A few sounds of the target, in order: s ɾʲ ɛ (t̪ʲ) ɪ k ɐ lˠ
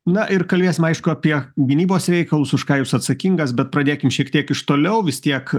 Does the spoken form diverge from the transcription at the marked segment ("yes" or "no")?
yes